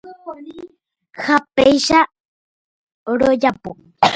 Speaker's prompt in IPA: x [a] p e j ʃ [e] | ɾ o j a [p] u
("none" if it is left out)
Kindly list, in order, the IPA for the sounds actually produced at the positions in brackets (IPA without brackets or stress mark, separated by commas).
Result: a, a, p